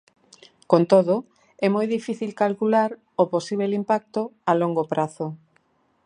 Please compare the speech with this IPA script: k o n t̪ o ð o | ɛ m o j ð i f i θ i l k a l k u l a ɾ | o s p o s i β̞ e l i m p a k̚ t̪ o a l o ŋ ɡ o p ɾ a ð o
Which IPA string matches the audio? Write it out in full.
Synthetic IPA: k o n t̪ o ð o | ɛ m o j ð i f i θ i l k a l k u l a ɾ | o p o s i β̞ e l i m p a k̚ t̪ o a l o ŋ ɡ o p ɾ a θ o